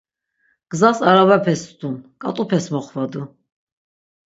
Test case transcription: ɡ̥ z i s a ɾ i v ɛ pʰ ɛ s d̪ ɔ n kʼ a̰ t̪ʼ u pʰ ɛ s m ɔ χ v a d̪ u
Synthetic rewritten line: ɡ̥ z a s a ɾ a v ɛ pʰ ɛ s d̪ u n kʼ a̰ t̪ʼ u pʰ ɛ s m ɔ χ v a d̪ u